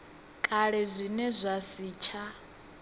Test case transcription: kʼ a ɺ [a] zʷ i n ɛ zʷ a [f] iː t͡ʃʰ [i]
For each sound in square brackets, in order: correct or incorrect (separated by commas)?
incorrect, incorrect, incorrect